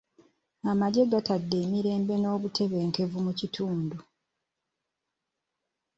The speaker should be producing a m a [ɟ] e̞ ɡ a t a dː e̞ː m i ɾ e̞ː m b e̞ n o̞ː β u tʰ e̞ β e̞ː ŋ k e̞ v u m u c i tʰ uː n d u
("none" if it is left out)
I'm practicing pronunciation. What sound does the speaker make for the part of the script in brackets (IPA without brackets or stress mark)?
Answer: ɟ